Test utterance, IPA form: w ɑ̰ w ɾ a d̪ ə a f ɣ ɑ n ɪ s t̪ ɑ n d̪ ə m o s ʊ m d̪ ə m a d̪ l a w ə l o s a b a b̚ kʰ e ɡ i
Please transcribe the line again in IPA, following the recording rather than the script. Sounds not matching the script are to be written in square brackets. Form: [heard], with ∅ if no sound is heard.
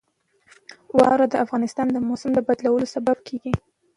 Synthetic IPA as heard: w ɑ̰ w ɾ a d̪ ə a f ɣ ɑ n ɪ s t̪ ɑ n d̪ ə m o s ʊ m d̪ ə [b] a d̪ l a w ə l o s a b a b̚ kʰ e ɡ i